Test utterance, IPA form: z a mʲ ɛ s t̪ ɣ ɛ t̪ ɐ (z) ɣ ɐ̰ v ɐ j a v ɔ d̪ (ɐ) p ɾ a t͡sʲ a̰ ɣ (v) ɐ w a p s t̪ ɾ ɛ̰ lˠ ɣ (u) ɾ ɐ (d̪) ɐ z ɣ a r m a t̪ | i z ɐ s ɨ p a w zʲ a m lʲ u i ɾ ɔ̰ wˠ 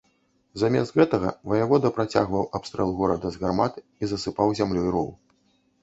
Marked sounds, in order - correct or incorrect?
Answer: incorrect: none, correct, correct, incorrect: ɔ, correct

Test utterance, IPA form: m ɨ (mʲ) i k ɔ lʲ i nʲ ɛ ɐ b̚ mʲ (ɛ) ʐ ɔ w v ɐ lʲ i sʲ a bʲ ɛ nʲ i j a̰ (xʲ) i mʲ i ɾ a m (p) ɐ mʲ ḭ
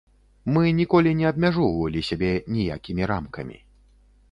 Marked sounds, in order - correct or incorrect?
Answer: incorrect: nʲ, incorrect: a, incorrect: kʲ, incorrect: k

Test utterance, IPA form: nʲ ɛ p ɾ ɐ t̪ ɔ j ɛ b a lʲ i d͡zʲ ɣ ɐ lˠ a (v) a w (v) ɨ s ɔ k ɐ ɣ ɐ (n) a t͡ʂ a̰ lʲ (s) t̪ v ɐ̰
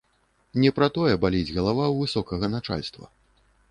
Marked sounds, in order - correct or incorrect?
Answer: correct, correct, correct, correct

